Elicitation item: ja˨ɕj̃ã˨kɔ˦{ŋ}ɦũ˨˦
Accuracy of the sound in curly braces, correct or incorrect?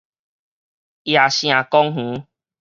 correct